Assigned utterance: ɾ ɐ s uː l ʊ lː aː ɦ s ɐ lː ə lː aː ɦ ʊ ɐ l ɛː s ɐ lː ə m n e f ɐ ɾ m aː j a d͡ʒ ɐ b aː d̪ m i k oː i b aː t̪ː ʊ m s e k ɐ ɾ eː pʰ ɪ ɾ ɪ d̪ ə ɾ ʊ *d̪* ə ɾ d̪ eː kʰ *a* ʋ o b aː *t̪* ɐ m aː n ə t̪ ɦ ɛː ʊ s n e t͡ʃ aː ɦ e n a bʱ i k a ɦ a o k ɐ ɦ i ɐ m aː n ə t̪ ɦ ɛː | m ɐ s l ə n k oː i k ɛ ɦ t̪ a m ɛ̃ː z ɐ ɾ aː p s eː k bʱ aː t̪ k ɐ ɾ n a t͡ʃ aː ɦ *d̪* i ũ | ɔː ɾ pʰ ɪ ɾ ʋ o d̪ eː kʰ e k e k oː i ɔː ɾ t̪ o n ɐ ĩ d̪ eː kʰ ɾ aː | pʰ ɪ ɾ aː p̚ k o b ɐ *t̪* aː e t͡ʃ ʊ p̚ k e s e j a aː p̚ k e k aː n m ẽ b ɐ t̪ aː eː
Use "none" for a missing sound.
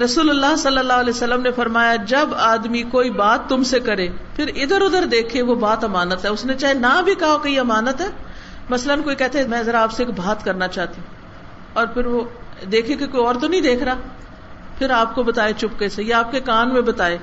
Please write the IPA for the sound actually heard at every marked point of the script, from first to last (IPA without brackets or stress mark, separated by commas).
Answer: d̪, e, t̪, t̪, t̪